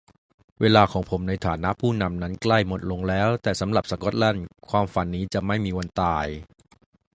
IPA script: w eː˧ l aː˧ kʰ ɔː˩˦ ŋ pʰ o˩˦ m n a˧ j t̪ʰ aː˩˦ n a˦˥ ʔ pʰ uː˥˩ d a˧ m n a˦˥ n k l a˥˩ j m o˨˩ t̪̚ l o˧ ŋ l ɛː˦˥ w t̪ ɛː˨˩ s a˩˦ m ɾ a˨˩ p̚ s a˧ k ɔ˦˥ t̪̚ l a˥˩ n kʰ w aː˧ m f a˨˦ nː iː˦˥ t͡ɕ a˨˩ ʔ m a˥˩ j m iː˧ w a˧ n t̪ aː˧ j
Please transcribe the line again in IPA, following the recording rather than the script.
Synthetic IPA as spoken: w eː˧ l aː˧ kʰ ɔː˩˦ ŋ pʰ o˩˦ m n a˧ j t̪ʰ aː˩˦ n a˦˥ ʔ pʰ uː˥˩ n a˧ m n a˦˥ n k l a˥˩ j m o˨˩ t̪̚ l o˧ ŋ l ɛː˦˥ w t̪ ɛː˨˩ s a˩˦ m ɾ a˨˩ p̚ s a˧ k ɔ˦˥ t̪̚ l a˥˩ n kʰ w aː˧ m f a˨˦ nː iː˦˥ t͡ɕ a˨˩ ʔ m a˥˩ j m iː˧ w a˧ n t̪ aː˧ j

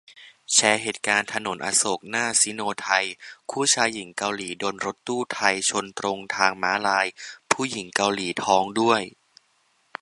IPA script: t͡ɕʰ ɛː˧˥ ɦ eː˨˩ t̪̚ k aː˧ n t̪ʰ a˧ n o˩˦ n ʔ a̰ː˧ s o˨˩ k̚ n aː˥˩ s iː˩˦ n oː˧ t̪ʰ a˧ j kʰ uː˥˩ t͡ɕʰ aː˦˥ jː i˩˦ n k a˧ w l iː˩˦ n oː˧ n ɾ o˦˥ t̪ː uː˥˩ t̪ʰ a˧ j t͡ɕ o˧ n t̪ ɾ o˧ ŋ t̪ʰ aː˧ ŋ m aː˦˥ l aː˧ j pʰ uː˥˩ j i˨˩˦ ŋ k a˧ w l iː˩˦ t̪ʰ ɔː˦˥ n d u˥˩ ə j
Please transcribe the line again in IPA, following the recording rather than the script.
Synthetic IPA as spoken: t͡ɕʰ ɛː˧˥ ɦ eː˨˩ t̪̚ k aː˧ n t̪ʰ a˧ n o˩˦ n ʔ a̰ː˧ s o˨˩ k̚ n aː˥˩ s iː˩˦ n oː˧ t̪ʰ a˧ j kʰ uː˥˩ t͡ɕʰ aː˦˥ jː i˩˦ ŋ k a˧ w l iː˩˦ d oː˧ n ɾ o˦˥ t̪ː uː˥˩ t̪ʰ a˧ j t͡ɕʰ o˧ n t̪ ɾ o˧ ŋ t̪ʰ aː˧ ŋ m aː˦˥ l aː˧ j pʰ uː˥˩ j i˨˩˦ ŋ k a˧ w l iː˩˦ t̪ʰ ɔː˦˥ ŋ d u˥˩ ə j

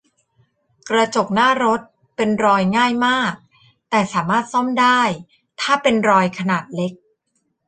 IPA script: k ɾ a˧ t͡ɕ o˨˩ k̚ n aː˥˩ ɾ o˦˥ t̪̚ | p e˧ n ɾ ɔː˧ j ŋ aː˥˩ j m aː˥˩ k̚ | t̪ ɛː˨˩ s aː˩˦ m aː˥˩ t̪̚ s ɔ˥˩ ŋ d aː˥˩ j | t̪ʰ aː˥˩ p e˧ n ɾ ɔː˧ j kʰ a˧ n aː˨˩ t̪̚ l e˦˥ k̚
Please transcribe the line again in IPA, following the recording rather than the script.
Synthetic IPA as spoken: k ɾ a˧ t͡ɕ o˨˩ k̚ n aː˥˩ ɾ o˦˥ t̪̚ | p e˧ n ɾ ɔː˧ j ŋ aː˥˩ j m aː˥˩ k̚ | t̪ ɛː˨˩ s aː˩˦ m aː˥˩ t̪̚ s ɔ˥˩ m d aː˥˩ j | t̪ʰ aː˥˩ p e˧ n ɾ ɔː˧ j kʰ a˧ n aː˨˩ t̪̚ l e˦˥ k̚

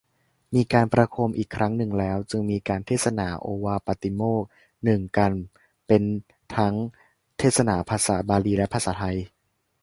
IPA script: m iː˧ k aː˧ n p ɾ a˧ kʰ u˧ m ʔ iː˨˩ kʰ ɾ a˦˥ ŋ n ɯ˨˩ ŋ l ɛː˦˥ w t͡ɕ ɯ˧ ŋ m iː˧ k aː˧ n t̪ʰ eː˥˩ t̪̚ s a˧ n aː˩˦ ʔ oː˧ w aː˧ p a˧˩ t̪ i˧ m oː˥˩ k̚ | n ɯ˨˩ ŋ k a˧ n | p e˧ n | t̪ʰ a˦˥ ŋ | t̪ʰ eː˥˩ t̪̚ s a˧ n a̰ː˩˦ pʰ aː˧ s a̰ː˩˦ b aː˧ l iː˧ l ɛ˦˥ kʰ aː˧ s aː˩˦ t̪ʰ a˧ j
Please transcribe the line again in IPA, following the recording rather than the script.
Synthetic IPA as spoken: m iː˧ k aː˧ n p ɾ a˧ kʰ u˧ m ʔ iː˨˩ kʰ ɾ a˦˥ ŋ n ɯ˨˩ ŋ l ɛː˦˥ w t͡ɕ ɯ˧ ŋ m iː˧ k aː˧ n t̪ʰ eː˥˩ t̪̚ s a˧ n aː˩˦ ʔ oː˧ w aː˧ p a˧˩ t̪ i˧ m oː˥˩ k̚ | n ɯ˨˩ ŋ k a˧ n | p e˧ n | t̪ʰ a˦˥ ŋ | t̪ʰ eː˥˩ t̪̚ s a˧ n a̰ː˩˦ pʰ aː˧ s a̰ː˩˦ b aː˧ l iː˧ l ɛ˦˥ pʰ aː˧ s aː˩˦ t̪ʰ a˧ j

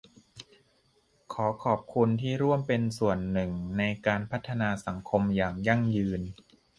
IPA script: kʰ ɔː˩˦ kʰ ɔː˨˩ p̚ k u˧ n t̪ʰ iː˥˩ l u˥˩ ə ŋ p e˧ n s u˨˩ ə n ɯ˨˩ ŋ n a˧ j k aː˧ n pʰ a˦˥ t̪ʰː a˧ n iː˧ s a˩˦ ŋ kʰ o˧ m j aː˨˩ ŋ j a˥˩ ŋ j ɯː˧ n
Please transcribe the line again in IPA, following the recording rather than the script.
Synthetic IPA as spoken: kʰ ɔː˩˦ kʰ ɔː˨˩ p̚ kʰ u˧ n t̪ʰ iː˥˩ ɾ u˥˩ ə m p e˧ n s u˨˩ ə nː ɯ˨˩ ŋ n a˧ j k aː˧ n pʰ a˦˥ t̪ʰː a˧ n aː˧ s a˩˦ ŋ kʰ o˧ m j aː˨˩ ŋ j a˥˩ ŋ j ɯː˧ n

